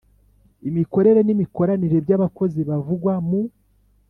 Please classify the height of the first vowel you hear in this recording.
high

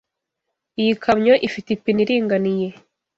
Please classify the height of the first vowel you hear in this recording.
high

